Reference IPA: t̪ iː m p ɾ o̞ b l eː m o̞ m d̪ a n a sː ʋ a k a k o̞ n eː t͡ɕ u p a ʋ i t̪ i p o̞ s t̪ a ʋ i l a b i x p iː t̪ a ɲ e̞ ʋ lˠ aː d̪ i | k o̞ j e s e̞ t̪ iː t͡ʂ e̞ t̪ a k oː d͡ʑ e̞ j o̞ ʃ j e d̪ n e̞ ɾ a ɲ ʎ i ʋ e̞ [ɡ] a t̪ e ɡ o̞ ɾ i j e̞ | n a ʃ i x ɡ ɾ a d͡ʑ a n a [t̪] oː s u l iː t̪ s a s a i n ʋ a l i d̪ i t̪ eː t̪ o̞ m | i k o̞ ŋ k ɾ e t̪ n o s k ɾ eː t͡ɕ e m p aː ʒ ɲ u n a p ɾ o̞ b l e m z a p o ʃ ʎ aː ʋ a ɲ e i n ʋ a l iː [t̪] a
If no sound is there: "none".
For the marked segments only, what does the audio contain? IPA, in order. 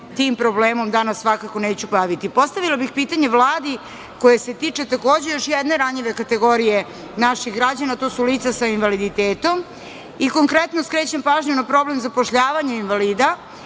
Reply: k, t̪, d̪

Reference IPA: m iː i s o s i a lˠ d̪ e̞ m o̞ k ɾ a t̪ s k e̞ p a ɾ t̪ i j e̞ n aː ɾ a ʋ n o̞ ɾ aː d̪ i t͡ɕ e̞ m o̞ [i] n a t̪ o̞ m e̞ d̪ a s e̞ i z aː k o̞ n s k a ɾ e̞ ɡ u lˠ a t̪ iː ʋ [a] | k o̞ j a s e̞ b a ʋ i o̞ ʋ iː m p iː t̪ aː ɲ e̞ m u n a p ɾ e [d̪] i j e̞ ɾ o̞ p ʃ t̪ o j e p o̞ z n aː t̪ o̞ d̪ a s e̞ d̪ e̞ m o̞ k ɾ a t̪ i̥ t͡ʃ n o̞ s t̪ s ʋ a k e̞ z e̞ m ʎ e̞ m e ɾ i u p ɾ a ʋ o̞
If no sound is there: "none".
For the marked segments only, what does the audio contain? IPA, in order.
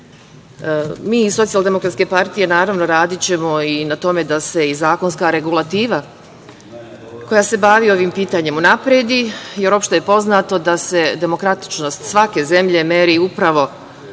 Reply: i, a, d̪

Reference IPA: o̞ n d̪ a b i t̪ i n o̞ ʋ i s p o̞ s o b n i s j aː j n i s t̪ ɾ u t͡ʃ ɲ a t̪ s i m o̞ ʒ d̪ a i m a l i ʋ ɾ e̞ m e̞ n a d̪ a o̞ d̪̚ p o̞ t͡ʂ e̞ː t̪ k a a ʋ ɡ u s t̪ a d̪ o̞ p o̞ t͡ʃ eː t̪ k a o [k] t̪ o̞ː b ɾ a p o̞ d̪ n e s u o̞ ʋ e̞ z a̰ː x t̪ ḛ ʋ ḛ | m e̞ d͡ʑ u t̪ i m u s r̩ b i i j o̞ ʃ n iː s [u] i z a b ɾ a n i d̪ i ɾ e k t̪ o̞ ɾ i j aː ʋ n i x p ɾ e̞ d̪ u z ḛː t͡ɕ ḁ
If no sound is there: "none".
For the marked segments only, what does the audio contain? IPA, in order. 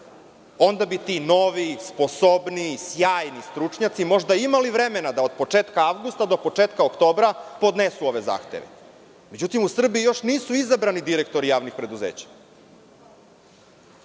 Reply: k, u

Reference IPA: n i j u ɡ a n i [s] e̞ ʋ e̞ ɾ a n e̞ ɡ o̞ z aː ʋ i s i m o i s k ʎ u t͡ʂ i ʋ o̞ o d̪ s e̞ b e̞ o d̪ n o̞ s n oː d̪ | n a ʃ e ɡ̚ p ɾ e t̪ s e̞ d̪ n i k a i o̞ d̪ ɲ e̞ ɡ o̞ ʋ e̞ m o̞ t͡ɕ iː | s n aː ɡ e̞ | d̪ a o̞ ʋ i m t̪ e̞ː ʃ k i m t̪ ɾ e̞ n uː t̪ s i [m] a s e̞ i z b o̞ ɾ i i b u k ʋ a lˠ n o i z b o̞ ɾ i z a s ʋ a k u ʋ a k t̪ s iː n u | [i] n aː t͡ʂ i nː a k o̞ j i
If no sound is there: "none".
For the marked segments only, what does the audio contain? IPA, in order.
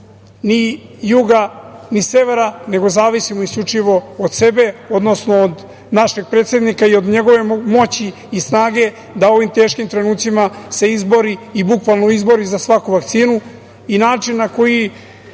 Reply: s, m, i

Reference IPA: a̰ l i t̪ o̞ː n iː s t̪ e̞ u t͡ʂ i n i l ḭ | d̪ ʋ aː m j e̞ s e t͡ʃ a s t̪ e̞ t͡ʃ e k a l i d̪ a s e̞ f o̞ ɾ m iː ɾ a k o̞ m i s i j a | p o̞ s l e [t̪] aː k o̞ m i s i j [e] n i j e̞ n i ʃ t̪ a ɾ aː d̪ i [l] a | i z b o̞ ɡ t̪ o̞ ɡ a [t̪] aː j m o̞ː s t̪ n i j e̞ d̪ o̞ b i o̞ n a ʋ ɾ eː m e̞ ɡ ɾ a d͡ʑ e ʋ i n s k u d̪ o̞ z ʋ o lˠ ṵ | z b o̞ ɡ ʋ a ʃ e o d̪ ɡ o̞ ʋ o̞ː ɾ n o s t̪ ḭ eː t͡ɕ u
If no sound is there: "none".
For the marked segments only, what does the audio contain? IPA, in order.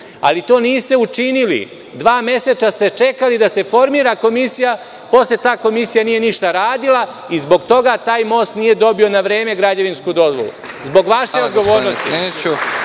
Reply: t̪, a, l, t̪

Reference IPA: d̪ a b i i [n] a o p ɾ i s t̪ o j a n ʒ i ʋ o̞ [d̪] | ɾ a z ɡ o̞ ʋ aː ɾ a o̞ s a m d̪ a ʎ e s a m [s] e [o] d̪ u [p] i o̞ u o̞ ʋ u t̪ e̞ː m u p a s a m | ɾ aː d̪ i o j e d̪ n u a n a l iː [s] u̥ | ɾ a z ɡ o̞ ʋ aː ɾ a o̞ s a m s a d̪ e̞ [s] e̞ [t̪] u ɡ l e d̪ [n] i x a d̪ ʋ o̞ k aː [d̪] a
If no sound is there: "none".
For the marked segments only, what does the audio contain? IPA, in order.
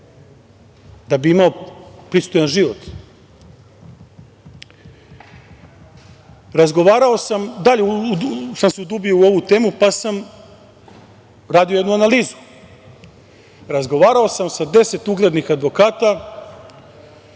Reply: m, t̪, s, u, b, z, s, t̪, n, t̪

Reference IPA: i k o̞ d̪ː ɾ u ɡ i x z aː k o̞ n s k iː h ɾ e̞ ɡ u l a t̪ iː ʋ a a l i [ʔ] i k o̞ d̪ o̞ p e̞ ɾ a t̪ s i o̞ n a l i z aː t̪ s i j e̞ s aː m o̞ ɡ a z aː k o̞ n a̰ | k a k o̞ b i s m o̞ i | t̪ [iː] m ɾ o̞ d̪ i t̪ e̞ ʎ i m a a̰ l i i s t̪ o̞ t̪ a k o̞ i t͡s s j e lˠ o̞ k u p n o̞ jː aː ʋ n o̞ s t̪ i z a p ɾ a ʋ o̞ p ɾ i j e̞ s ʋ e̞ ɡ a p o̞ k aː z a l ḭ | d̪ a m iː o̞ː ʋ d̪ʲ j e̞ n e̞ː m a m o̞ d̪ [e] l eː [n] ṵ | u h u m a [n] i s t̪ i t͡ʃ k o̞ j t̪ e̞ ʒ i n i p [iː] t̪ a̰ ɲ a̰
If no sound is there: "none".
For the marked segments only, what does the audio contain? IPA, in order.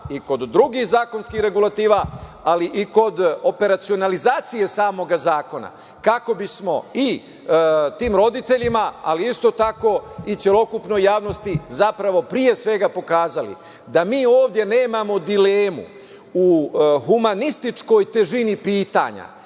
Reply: ʔ, iː, i, m, n, iː

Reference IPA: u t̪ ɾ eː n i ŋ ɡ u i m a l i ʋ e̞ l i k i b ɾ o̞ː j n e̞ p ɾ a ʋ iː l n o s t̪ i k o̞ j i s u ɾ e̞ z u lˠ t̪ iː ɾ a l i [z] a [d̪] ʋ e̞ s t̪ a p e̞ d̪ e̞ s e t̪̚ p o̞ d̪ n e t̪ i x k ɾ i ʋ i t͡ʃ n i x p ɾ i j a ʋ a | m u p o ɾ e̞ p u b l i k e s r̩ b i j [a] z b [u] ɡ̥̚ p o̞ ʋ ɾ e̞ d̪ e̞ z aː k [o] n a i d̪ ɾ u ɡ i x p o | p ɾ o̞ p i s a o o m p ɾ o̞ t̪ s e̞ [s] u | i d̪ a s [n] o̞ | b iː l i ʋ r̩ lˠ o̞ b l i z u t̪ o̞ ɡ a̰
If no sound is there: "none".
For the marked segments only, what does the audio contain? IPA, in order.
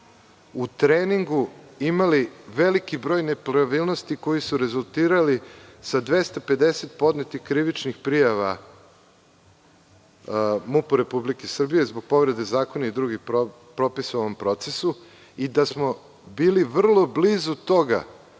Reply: s, d̪, e, o, o, s, m

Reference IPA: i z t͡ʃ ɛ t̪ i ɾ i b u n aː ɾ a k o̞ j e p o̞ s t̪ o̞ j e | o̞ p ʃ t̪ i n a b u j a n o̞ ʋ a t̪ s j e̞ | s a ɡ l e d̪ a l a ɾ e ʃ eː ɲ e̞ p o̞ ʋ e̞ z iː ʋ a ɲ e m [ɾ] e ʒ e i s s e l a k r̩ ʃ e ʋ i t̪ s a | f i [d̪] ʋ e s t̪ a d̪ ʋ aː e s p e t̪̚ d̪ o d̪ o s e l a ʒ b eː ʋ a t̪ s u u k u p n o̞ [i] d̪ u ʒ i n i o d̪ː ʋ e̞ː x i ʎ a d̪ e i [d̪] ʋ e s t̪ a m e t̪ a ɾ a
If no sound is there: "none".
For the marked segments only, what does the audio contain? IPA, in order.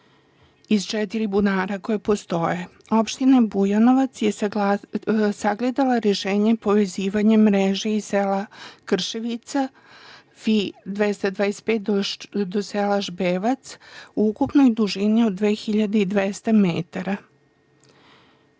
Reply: ɾ, d̪, j, d̪

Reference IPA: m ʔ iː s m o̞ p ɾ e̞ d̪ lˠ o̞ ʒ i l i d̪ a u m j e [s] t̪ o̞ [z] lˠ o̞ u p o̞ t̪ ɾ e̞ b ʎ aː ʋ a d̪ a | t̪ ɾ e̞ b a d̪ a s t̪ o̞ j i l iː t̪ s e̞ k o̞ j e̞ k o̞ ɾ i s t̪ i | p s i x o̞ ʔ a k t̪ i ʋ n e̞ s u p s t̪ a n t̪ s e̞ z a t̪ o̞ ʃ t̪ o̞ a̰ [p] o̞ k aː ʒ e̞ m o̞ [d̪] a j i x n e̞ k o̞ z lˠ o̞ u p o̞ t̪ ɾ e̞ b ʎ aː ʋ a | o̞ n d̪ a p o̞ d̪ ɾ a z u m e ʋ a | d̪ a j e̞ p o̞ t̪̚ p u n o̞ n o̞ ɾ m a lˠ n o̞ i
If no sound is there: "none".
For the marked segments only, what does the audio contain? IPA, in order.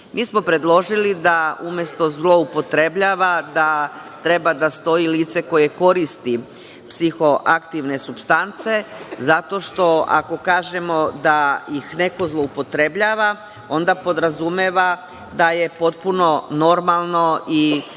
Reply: s, z, k, d̪

